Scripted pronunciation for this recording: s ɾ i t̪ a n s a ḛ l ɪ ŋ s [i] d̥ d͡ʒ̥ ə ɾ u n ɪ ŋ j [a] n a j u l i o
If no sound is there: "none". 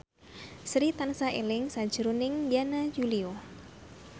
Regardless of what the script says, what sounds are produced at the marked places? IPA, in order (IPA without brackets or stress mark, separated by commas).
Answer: a, a